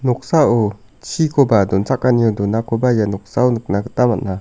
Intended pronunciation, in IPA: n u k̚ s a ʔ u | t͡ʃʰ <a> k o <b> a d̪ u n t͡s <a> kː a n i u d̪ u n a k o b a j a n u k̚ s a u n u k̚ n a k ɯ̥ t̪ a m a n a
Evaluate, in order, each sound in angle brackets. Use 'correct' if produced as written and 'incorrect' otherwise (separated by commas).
incorrect, correct, correct